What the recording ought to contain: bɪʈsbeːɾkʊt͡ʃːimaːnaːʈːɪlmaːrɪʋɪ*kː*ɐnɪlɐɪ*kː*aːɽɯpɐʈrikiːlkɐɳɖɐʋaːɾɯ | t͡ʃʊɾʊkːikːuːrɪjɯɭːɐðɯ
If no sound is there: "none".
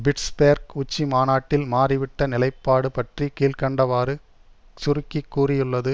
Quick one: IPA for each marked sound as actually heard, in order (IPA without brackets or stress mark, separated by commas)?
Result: ʈː, pː